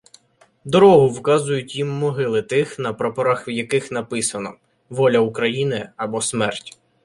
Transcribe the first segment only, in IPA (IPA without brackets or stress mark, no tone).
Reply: d̪